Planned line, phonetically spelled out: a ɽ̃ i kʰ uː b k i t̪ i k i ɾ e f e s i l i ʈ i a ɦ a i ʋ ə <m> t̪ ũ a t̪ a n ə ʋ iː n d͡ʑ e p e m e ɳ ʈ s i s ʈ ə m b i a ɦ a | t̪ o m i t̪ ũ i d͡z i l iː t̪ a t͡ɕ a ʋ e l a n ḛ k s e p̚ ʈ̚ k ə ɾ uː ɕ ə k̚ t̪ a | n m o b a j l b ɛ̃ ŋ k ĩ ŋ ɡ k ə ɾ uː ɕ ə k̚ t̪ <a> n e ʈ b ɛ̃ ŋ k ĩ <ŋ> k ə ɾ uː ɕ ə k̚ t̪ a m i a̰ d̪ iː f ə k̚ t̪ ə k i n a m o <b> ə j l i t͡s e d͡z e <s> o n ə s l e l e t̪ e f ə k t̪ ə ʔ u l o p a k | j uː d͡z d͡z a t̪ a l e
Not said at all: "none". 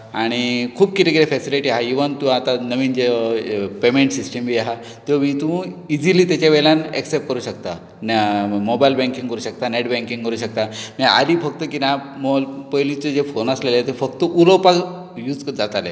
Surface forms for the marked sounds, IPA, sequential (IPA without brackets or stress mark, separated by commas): n, a, ŋ, p, f